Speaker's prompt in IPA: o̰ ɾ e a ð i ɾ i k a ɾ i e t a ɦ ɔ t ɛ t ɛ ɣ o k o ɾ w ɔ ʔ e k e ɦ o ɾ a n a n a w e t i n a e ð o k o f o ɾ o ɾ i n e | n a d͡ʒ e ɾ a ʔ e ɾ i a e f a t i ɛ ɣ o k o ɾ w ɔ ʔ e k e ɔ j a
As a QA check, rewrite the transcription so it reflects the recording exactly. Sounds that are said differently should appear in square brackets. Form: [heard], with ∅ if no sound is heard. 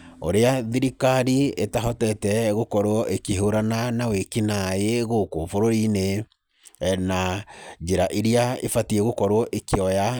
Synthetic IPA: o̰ ɾ e a ð i ɾ i k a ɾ i e t a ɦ ɔ t ɛ t ɛ ɣ o k [ɔ] ɾ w ɔ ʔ e k e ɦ o ɾ a n a n a w e [k] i n a e [ɣ] o k o f o ɾ o ɾ i n e | n a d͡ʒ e ɾ a ʔ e ɾ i a e f a t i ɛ ɣ o k [ɔ] ɾ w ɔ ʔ e k e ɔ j a